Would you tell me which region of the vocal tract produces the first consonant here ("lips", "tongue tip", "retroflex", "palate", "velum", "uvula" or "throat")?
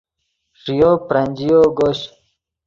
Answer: retroflex